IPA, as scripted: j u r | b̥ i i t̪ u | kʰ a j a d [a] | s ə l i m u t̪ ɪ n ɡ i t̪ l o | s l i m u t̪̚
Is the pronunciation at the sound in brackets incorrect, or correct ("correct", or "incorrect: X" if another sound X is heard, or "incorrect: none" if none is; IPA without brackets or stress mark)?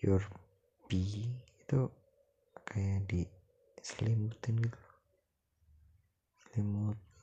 incorrect: i